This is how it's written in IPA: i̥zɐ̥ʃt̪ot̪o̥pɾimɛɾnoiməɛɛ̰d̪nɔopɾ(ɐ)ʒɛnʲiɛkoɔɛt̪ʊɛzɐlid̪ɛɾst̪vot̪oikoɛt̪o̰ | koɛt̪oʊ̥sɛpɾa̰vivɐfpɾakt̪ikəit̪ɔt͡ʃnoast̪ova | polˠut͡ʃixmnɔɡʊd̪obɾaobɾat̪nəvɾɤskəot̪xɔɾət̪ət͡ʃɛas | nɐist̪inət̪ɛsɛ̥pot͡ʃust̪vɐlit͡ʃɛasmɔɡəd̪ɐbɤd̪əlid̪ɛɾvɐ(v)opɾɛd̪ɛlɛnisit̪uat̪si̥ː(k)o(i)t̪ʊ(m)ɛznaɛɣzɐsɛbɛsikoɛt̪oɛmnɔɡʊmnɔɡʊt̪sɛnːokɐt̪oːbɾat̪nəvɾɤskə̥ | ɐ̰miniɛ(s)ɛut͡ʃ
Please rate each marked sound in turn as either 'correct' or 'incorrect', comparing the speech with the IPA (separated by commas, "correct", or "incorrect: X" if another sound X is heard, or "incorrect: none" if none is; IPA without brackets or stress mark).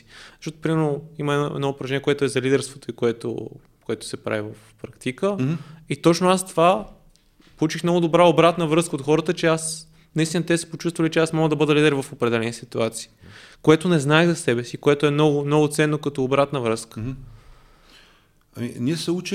correct, incorrect: f, correct, incorrect: ɛ, incorrect: n, correct